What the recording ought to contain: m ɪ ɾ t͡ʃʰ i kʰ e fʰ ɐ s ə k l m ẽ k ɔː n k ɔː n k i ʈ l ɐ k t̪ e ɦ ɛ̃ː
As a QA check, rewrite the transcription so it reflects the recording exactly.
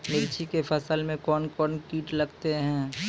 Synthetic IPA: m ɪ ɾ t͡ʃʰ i k e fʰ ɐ s ə l m ẽ k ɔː n k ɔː n k iː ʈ l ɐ ɡ t̪ e ɦ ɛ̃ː

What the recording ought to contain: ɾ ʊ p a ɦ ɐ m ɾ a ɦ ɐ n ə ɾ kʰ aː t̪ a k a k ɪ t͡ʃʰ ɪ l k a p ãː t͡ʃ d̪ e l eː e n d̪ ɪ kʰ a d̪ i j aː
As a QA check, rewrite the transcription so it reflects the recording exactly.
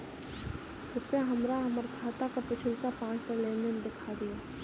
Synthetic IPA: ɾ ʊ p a ɦ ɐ m ɾ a ɦ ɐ m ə ɾ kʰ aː t̪ a k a p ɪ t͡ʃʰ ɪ l k a p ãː t͡ʃ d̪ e l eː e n d̪ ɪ kʰ a d̪ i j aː

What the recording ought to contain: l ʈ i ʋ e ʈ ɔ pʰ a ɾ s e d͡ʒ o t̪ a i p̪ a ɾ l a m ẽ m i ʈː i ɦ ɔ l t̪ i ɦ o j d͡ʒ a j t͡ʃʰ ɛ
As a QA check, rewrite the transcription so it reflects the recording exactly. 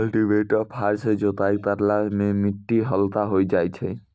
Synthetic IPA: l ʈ i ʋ e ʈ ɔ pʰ a ɾ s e d͡ʒ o t̪ a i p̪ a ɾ l a m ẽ m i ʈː i ɦ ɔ l t̪ a ɦ o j d͡ʒ a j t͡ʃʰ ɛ

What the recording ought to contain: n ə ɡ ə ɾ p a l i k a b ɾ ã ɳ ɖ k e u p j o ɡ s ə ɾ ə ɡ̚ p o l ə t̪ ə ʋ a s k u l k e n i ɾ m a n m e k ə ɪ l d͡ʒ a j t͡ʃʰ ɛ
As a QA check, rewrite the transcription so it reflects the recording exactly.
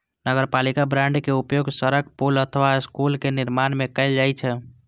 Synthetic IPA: n ə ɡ ə ɾ p a l i k a b ɾ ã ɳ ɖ k e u p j o ɡ s ə ɾ ə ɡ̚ p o l ə t̪ʰ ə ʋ a s k u l k e n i ɾ m a n m e k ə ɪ l d͡ʒ a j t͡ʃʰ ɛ

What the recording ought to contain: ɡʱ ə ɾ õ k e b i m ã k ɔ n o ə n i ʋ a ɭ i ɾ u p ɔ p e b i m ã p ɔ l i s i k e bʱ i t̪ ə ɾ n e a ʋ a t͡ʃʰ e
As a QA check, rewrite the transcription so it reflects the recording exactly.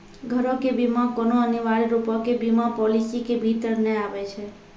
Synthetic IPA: ɡʱ ə ɾ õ k e b i m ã k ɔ n o ə n i ʋ a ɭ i ɾ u p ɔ k e b i m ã p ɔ l i s i k e bʱ i t̪ ə ɾ n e a ʋ e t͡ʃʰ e

